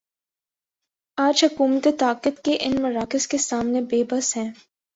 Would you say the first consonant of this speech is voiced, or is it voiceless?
voiced